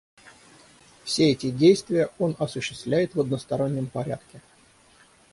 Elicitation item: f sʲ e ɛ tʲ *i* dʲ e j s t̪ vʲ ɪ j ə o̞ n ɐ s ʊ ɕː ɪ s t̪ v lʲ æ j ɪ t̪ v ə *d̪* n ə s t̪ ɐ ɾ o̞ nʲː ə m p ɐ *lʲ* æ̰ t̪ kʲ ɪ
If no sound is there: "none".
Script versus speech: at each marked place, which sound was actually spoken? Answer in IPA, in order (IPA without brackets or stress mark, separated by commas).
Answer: ɪ, d̪, ɾʲ